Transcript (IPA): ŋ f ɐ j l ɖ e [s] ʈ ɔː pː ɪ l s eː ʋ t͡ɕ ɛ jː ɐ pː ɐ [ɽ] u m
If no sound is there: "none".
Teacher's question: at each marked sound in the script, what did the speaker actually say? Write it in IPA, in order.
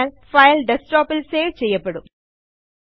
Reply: s, ɽ

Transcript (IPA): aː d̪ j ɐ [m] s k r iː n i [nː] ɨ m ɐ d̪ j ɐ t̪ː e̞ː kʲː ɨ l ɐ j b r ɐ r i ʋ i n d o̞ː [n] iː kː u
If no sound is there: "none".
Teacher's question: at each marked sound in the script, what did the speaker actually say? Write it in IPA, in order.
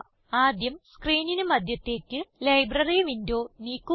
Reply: m, n, n

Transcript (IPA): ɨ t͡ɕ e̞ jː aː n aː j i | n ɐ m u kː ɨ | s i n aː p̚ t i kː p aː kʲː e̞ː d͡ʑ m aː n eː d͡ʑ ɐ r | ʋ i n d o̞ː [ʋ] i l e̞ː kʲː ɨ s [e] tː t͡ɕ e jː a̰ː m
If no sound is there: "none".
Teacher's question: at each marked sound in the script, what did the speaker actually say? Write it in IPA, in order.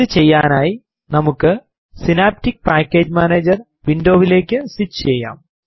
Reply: ʋ, i

